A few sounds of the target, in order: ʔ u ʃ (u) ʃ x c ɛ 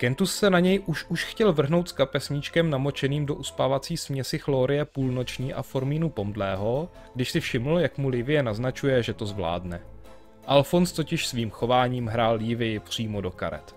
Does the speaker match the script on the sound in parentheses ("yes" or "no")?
yes